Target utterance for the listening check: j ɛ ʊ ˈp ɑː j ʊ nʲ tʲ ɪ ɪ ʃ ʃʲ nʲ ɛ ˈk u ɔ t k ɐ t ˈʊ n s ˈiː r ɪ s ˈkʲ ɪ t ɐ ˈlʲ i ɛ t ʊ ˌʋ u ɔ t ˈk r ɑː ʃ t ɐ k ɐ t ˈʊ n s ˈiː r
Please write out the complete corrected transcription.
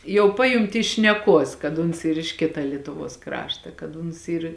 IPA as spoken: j ɛ ʊ ˈp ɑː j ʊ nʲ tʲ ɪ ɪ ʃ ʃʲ nʲ ɛ ˈk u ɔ s k ɐ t ˈʊ n s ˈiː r ɪ ʃ ˈkʲ ɪ t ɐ ˈlʲ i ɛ t ʊ ˌʋ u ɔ s ˈk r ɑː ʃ t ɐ k ɐ t ˈʊ n s ˈiː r